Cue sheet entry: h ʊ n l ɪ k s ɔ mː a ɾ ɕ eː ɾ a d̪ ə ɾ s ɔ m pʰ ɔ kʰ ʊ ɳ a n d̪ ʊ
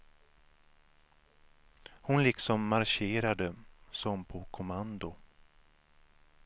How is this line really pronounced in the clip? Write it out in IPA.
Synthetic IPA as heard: h ʊ n l ɪ k s ɔ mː a ɾ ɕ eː ɾ a d̪ ə s ɔ m pʰ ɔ kʰ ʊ m a n d̪ ʊ